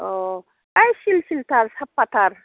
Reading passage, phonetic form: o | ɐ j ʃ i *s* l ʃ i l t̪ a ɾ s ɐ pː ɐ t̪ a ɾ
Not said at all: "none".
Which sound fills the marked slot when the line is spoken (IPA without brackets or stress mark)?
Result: none